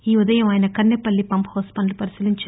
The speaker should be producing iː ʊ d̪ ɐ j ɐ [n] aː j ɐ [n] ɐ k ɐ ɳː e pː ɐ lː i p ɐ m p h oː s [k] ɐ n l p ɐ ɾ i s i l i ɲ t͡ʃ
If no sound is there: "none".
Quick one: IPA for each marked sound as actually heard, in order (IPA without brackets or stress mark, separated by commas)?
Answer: m, n, p